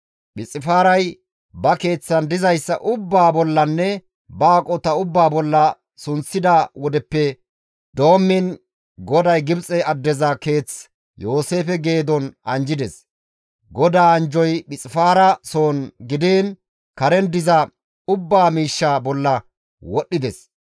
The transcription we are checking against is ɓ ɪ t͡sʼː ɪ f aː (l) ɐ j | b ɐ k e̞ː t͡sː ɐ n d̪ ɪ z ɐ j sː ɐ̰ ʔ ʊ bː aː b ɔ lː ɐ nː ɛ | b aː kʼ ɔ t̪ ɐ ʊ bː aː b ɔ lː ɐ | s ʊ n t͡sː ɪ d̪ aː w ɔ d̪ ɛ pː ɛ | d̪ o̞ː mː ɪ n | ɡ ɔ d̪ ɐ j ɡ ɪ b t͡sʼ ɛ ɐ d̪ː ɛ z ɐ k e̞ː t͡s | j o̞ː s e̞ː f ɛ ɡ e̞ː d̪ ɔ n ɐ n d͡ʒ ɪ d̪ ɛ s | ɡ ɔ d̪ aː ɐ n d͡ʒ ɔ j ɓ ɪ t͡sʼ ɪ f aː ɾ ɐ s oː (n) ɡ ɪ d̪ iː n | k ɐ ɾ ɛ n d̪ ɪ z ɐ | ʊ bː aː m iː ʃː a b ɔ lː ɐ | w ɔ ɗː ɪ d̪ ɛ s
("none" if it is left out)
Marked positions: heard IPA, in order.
ɾ, n

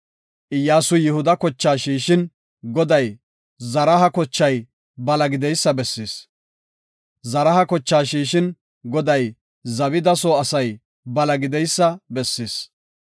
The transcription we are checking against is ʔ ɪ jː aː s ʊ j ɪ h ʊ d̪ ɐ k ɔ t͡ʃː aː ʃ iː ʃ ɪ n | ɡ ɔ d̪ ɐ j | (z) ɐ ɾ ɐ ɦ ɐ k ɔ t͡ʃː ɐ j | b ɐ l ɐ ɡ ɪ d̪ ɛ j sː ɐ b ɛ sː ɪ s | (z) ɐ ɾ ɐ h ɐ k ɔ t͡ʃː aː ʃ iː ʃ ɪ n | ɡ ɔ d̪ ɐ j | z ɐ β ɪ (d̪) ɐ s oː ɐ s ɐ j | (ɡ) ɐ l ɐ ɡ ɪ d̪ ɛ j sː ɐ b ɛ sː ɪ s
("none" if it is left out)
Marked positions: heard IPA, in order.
z, z, d̪, b

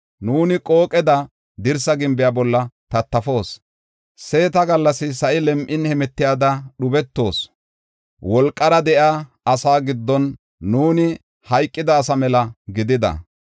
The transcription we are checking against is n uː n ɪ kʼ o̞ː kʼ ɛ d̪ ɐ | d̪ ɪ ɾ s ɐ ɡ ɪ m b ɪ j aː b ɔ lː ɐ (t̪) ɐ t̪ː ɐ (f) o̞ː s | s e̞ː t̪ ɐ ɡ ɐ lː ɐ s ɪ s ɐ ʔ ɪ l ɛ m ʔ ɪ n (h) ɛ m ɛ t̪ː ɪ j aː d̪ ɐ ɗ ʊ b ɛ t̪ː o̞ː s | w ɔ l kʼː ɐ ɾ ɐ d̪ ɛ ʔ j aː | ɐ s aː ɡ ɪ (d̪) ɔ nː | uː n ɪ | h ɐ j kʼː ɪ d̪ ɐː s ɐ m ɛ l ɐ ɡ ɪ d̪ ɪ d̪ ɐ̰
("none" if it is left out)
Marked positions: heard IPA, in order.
t̪, f, h, d̪ː

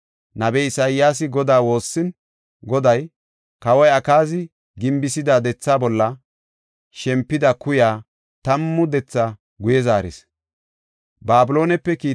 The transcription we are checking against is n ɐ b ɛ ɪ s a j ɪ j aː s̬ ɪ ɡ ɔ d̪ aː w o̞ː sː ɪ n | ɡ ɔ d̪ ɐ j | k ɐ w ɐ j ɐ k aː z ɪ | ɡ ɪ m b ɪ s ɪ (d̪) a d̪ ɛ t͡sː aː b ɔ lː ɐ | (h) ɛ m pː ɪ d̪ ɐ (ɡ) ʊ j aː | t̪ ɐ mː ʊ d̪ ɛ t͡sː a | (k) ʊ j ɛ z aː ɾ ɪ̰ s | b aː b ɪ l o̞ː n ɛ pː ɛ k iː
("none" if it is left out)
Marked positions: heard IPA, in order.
d̪, ʃ, k, ɡ

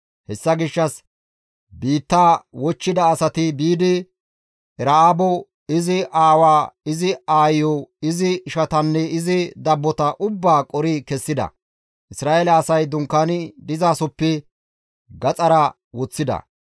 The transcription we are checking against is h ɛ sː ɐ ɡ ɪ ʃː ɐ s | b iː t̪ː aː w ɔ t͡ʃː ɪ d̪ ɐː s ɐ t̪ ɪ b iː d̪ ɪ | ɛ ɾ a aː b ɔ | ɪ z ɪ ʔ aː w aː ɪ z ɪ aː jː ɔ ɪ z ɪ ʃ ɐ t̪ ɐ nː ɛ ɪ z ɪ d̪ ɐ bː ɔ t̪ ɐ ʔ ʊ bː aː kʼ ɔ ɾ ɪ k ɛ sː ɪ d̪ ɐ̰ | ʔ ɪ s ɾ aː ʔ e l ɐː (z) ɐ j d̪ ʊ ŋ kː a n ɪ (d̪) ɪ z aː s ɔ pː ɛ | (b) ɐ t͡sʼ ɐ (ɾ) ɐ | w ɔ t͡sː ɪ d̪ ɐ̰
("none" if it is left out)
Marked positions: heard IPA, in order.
s, d̪, ɡ, ɾ

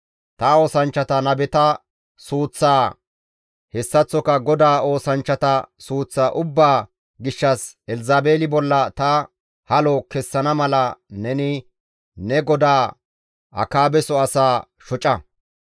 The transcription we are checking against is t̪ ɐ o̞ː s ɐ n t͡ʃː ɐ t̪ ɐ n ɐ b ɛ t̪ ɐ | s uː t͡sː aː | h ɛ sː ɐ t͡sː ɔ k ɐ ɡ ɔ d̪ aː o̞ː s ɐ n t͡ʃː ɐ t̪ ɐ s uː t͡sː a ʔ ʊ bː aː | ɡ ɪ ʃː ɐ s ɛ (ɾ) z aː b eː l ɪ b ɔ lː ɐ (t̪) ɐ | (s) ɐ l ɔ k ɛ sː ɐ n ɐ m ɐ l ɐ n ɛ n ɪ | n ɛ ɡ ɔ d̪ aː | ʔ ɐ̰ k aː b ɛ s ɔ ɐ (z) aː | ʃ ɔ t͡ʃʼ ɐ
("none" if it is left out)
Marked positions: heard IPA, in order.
l, t̪, h, s

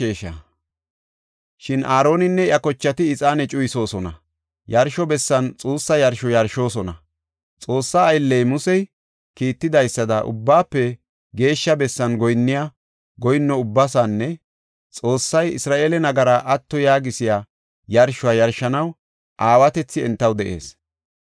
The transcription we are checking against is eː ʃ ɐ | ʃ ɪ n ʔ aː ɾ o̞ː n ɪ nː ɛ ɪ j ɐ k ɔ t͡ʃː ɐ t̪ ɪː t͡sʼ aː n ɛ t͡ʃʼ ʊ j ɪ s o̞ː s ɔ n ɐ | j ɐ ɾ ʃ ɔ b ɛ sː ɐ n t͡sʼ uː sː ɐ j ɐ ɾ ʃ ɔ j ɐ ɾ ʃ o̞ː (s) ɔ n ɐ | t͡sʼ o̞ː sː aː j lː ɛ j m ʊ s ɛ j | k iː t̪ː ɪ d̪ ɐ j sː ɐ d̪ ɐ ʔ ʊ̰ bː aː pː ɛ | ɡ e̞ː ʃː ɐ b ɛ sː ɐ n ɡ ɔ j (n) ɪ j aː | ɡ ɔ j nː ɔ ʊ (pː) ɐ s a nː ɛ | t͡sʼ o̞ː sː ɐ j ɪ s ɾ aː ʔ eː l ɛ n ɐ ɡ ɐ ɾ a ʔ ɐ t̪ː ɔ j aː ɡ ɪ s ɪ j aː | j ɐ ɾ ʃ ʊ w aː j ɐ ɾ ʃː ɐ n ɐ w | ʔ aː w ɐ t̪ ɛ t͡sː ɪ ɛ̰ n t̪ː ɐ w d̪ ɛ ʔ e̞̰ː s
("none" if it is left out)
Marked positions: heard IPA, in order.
s, nː, bː

